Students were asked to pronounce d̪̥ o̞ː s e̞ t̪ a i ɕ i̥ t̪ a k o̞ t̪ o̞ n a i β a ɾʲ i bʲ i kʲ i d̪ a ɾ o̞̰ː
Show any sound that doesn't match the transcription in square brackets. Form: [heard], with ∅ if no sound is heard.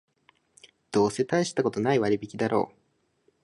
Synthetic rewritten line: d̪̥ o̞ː s e̞ t̪ a i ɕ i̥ t̪ a k o̞ t̪ o̞ n a i β a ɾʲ i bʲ i kʲ i d̪ a ɾ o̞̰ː

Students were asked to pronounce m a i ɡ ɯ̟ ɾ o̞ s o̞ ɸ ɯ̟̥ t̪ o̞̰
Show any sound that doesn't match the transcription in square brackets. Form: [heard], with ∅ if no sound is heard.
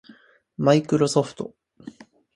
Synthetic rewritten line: m a i [k] ɯ̟ ɾ o̞ s o̞ ɸ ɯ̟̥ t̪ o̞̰

